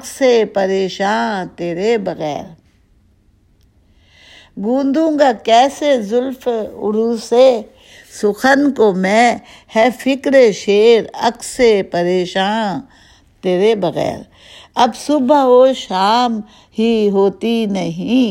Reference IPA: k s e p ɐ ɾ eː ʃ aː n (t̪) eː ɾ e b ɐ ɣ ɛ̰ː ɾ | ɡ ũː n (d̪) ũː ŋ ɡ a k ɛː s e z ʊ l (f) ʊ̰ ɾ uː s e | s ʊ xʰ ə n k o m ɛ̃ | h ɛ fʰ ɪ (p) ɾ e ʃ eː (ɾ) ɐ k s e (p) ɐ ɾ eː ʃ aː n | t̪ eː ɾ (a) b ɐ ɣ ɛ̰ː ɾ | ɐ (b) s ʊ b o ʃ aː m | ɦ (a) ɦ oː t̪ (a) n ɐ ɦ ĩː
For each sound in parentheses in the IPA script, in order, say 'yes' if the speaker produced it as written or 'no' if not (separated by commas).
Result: yes, yes, yes, no, yes, yes, no, yes, no, no